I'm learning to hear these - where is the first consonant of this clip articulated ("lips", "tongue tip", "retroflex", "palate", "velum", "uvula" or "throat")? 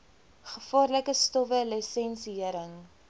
uvula